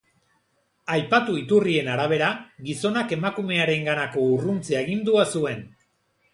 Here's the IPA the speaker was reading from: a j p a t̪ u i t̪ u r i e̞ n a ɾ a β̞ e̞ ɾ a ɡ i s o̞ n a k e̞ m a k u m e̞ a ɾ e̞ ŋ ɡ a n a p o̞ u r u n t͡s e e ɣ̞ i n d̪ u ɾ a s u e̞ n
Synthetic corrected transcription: a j p a t̪ u i t̪ u r i e̞ n a ɾ a β̞ e̞ ɾ a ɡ i s o̞ n a k e̞ m a k u m e̞ a ɾ e̞ ŋ ɡ a n a k o̞ u r u n t͡s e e ɣ̞ i n d̪ u a s u e̞ n